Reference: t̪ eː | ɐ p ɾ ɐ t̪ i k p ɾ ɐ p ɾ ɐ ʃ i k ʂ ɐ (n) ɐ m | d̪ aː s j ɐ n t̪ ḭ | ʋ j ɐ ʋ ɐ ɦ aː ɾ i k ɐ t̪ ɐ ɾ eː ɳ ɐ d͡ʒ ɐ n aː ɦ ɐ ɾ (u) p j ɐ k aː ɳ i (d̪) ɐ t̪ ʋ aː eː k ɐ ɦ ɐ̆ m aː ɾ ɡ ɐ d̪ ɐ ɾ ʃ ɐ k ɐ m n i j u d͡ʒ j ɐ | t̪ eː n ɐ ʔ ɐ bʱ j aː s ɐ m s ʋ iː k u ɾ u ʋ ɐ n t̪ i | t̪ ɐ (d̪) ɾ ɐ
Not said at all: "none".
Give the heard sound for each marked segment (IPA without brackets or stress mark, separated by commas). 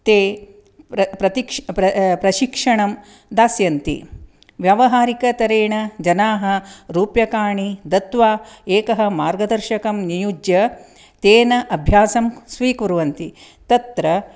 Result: ɳ, uː, d̪, t̪